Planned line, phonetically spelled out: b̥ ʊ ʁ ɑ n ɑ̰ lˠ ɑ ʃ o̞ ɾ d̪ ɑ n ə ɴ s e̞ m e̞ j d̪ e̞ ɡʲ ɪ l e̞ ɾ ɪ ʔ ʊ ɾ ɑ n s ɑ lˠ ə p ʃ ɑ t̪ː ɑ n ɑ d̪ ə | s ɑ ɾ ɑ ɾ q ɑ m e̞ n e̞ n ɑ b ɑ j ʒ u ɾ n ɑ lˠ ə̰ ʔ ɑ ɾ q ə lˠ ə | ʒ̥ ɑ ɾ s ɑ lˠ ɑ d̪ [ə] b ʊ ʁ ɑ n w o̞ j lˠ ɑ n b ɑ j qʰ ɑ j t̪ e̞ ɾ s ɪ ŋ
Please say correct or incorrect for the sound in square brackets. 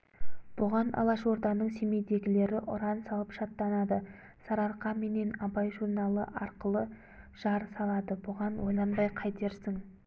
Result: correct